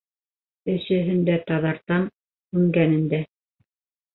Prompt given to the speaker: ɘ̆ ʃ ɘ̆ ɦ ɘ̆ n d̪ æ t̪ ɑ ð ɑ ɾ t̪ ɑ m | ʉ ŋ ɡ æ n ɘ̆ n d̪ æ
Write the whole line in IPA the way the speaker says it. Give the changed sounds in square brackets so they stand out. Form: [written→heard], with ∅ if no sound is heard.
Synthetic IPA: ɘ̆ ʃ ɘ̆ ɦ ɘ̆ n d̪ æ t̪ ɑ ð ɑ ɾ t̪ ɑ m | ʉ ŋ ɡ æ n ɘ̆ n d̪ æ